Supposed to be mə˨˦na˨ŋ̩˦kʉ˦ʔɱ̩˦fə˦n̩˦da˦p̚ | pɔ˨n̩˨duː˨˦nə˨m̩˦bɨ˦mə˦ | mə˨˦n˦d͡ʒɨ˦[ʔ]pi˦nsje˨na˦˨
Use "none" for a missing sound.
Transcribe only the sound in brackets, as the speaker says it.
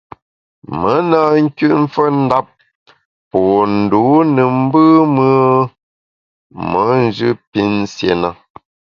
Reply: none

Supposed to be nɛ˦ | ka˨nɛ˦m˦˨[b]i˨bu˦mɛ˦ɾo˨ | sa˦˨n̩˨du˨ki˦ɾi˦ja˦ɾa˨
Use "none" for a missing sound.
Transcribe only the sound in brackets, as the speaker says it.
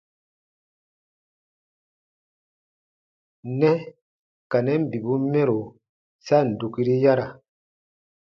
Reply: b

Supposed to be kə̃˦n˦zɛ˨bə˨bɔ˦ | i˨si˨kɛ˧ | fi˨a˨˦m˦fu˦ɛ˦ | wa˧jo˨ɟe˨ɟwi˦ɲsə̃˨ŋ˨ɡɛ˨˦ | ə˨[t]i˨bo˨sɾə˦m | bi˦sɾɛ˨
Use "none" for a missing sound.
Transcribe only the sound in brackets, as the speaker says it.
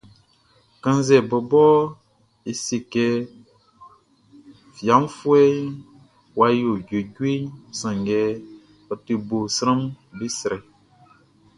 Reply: t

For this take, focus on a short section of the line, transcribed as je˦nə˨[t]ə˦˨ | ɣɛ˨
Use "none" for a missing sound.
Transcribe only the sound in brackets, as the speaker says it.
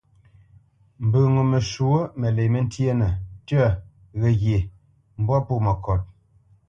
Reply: t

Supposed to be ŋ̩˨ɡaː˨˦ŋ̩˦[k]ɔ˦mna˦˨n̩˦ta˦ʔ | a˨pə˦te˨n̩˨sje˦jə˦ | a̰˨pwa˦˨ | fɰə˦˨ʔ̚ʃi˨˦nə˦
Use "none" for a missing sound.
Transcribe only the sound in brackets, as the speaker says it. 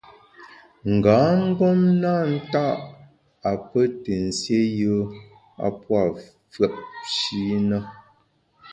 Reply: ɡ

